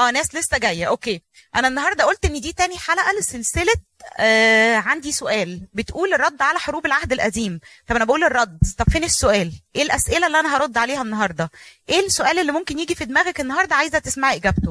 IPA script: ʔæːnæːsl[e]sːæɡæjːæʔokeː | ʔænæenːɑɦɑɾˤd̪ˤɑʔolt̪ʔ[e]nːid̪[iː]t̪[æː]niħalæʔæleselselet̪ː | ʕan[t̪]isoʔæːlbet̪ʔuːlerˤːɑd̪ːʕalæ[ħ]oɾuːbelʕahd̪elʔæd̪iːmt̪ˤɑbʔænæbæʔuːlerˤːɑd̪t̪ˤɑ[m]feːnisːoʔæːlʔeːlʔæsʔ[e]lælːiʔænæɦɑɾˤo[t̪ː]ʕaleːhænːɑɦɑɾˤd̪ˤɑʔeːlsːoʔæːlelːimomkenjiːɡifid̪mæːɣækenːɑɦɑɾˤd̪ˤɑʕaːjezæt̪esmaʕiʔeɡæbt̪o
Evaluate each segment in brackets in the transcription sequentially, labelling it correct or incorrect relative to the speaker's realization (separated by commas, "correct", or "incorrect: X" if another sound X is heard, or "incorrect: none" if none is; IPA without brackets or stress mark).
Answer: correct, correct, correct, correct, incorrect: d̪, correct, incorrect: b, correct, incorrect: d̪ː